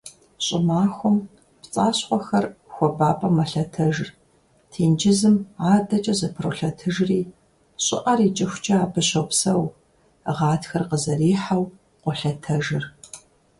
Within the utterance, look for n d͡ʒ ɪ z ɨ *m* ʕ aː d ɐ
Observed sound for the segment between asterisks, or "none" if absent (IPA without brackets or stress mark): m